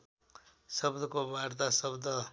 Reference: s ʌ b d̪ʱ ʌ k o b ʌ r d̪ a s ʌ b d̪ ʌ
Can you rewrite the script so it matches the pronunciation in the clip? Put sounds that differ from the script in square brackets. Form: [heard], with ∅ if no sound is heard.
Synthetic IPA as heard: s ʌ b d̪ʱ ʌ k o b [a] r [t̪] a s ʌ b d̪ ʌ